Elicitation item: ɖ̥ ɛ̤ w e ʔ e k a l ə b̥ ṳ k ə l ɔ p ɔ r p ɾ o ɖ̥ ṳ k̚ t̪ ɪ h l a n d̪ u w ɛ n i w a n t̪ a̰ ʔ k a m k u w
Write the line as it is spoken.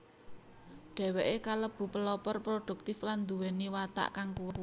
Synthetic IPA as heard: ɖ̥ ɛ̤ w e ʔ e k a l ə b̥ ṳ p ə l ɔ p ɔ r p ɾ o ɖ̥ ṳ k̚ t̪ ɪ f l a n d̪ u w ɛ n i w a t̪ a̰ ʔ k a ŋ k u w